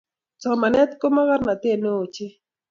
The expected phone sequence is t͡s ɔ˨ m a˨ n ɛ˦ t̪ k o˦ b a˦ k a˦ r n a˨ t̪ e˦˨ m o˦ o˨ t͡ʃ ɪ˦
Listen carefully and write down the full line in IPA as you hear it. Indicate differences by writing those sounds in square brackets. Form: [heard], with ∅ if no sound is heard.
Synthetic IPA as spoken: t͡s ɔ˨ m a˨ n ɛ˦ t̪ k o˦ [m] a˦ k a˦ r n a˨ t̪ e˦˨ [n] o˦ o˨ t͡ʃ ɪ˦